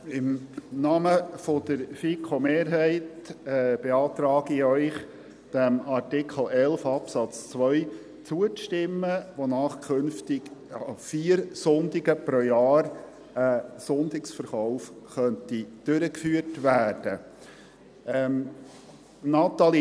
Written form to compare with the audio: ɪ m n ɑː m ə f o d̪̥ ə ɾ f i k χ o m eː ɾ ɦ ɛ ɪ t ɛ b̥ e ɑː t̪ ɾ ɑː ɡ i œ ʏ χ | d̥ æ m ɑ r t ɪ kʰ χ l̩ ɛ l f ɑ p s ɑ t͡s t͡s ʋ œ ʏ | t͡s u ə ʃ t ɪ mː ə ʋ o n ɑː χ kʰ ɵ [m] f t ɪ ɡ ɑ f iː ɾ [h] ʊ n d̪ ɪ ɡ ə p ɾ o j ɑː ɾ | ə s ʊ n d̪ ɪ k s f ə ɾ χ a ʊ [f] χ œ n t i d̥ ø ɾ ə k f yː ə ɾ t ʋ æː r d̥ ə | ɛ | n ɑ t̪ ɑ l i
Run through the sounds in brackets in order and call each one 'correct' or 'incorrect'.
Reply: incorrect: n, incorrect: s, correct

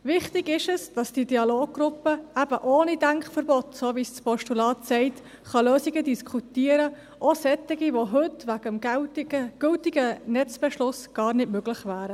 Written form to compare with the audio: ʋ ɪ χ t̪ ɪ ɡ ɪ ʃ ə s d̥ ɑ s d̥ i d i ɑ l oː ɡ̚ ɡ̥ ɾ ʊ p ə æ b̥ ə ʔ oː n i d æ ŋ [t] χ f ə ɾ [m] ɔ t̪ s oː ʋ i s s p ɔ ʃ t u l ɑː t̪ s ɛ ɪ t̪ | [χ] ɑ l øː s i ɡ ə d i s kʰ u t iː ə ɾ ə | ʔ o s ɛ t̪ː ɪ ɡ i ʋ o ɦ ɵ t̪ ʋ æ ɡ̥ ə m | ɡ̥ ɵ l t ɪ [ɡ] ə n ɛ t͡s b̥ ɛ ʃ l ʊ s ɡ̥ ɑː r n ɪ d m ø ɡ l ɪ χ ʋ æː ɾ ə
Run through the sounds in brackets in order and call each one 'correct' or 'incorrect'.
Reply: incorrect: k, incorrect: b, correct, correct

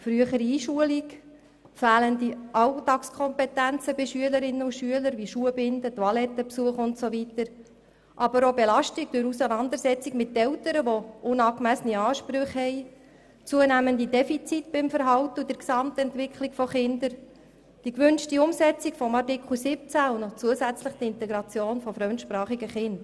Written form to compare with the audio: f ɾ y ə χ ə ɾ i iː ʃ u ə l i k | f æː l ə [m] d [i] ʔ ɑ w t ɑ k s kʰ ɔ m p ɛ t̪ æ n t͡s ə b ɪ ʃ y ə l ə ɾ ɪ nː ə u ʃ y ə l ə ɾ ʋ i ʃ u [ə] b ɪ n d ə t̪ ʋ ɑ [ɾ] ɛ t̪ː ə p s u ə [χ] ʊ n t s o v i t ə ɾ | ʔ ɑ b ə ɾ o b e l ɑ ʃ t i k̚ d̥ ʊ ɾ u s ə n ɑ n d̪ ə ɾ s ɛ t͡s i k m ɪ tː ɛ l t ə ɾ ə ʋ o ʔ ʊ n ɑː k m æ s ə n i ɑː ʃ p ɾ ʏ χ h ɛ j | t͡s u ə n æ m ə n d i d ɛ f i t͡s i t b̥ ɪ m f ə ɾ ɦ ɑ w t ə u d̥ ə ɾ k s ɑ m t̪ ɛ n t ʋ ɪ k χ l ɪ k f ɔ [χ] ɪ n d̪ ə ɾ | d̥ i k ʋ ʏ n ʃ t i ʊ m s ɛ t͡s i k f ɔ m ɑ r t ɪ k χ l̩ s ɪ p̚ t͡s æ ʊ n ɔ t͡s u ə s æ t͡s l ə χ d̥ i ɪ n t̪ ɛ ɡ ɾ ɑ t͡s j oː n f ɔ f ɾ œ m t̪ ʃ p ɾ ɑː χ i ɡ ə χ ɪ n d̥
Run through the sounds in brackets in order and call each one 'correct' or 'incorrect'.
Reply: incorrect: n, correct, correct, incorrect: l, correct, correct

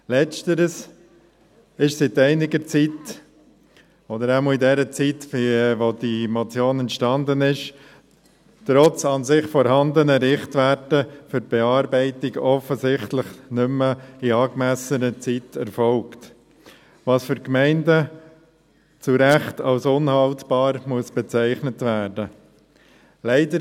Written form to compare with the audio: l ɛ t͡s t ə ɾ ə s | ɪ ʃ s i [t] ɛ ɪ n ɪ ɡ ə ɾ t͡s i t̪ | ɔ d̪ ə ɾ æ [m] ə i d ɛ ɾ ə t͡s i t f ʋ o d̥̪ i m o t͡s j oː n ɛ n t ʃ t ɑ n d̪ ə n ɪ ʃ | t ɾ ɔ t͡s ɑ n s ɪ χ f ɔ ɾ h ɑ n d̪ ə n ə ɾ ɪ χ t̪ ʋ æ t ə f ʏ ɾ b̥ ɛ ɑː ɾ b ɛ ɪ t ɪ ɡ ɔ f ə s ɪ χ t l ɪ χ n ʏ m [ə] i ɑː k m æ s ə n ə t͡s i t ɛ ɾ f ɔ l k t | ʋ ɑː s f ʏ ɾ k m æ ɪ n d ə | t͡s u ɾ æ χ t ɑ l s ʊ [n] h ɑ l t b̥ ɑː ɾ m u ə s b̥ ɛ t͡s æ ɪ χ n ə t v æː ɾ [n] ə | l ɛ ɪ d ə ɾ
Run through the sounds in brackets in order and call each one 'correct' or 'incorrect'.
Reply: correct, correct, correct, correct, incorrect: d

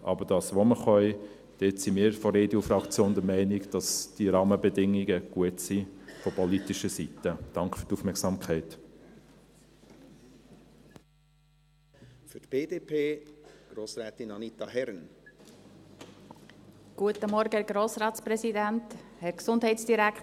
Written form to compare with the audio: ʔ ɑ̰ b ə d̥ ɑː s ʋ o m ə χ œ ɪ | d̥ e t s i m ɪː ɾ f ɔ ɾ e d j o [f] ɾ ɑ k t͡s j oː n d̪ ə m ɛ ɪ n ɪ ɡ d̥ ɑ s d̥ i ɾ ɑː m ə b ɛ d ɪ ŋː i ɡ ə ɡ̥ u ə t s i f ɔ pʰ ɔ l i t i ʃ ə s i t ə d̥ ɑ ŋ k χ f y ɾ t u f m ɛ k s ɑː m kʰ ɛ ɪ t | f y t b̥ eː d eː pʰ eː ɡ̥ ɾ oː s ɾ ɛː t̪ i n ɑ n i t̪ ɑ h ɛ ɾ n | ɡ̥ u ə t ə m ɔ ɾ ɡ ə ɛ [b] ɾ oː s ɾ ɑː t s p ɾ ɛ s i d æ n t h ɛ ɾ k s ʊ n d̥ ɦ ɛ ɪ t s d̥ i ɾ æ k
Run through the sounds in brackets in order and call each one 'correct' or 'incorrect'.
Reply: correct, incorrect: ɡ

